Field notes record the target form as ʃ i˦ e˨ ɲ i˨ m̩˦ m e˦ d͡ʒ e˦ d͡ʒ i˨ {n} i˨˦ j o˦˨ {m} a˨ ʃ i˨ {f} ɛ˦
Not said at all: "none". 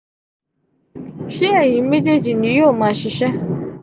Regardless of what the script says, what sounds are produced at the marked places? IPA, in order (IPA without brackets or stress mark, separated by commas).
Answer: n, m, ʃ